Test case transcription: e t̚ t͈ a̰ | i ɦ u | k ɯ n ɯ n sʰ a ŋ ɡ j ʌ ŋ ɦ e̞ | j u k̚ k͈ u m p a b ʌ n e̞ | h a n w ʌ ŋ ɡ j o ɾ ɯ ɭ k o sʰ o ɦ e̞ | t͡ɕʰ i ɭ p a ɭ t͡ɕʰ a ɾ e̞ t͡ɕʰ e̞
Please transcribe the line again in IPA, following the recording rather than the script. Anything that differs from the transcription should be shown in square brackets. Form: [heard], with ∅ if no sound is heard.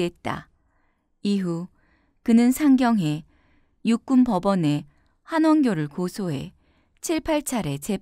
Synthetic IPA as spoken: e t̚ t͈ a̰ | i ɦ u | k ɯ n ɯ n sʰ a ŋ ɡ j ʌ ŋ ɦ e̞ | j u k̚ k͈ u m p [ʌ] b ʌ n e̞ | h a n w ʌ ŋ ɡ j o ɾ ɯ ɭ k o sʰ o ɦ e̞ | t͡ɕʰ i ɭ [pʰ] a ɭ t͡ɕʰ a ɾ e̞ [t͡ɕ] e̞